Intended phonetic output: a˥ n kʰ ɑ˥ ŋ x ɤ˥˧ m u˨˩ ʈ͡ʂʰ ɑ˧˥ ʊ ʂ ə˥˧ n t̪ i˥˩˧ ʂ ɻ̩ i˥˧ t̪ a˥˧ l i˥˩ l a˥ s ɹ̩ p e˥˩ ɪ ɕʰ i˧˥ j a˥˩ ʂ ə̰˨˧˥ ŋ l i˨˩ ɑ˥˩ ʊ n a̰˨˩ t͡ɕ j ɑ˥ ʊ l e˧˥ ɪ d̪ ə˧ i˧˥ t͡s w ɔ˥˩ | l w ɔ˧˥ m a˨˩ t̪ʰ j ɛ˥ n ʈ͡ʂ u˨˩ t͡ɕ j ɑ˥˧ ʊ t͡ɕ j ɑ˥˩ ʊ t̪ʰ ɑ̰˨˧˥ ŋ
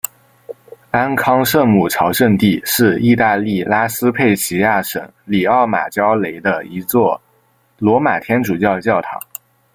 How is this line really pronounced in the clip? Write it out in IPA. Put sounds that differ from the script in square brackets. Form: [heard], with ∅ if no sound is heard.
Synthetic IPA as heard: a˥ n kʰ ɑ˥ ŋ [ʂ] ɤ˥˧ m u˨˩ ʈ͡ʂʰ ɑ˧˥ ʊ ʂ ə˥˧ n t̪ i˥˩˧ ʂ ɻ̩ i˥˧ t̪ a˥˧ l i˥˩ l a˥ s ɹ̩ [pʰ] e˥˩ ɪ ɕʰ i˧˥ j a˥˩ ʂ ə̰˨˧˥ ŋ l i˨˩ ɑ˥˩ ʊ [m] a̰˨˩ t͡ɕ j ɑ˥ ʊ l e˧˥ ɪ d̪ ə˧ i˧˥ t͡s w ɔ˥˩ | l w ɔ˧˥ m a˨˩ t̪ʰ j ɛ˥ n ʈ͡ʂ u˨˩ t͡ɕ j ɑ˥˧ ʊ t͡ɕ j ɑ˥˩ ʊ t̪ʰ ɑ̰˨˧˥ ŋ